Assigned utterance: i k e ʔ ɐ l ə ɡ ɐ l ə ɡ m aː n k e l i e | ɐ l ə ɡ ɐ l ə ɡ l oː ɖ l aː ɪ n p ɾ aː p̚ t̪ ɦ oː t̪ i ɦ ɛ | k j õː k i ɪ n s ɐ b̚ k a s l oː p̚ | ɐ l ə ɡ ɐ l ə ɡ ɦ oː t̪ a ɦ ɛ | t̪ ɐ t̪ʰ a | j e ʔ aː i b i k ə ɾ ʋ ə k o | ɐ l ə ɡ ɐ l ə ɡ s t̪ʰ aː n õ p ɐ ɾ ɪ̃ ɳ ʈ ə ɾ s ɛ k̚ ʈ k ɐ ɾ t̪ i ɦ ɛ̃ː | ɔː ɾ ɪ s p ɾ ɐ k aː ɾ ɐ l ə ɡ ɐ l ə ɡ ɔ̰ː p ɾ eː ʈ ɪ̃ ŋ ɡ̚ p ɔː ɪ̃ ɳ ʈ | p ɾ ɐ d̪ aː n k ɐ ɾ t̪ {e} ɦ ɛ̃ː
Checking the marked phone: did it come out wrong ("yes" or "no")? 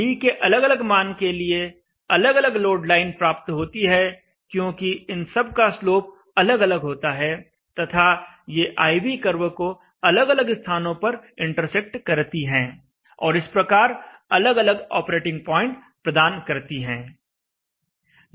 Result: yes